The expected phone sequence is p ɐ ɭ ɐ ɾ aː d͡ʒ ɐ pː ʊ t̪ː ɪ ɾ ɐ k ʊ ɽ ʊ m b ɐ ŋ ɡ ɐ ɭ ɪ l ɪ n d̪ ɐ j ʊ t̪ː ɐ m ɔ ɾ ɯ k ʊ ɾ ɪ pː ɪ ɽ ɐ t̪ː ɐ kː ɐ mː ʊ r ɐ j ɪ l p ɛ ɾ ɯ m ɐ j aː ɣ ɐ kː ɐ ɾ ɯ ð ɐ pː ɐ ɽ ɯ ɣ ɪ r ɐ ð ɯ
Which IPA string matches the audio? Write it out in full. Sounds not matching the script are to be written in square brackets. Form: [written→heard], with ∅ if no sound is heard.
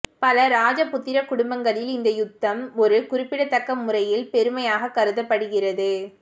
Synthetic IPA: p ɐ [ɭ→l] ɐ ɾ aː d͡ʒ ɐ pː ʊ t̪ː ɪ ɾ ɐ k ʊ ɽ ʊ m b ɐ ŋ ɡ ɐ ɭ ɪ l ɪ n d̪ ɐ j ʊ t̪ː ɐ m ɔ ɾ ɯ k ʊ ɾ ɪ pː ɪ ɽ ɐ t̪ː ɐ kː ɐ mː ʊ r ɐ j ɪ l p ɛ ɾ ɯ m ɐ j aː ɣ ɐ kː ɐ ɾ ɯ ð ɐ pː ɐ ɽ ɯ ɣ ɪ r ɐ ð ɯ